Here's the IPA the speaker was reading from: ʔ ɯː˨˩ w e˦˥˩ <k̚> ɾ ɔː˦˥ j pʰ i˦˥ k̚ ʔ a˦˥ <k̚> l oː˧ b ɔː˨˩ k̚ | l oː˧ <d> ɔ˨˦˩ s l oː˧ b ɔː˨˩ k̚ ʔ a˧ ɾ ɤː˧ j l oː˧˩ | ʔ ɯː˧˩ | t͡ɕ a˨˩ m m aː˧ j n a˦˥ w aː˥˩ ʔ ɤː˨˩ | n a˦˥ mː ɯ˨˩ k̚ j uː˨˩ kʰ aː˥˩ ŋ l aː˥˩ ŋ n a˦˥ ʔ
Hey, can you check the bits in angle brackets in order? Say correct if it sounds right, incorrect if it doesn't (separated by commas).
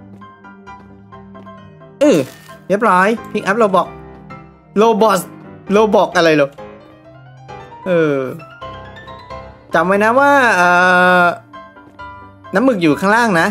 incorrect, incorrect, incorrect